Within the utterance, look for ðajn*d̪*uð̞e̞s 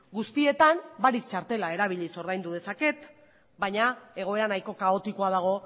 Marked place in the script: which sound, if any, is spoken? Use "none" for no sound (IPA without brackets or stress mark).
d̪